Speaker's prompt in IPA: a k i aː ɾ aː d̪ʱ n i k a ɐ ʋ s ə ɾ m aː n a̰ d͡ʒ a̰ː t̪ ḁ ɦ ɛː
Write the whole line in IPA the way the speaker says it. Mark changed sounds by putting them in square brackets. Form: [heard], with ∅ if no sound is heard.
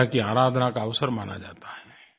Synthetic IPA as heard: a k i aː ɾ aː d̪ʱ n [a] k a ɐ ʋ s ə ɾ m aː n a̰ d͡ʒ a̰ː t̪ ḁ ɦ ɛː